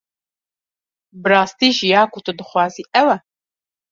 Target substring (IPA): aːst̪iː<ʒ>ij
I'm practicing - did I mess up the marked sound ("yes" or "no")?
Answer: no